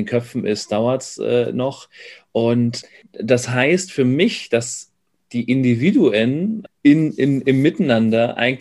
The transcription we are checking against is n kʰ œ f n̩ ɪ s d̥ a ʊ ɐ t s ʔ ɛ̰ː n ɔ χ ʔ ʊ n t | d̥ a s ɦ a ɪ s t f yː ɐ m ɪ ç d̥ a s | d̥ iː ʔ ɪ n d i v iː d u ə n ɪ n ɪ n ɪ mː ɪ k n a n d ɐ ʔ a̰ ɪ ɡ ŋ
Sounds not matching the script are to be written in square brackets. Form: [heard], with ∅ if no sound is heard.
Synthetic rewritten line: n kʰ œ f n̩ ɪ s d̥ a ʊ ɐ t s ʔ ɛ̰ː n ɔ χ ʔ ʊ n t | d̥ a s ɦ a ɪ s t f yː ɐ m ɪ ç d̥ a s | d̥ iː ʔ ɪ n d i v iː d u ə n ɪ n ɪ n ɪ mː ɪ [t] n a n d ɐ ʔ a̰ ɪ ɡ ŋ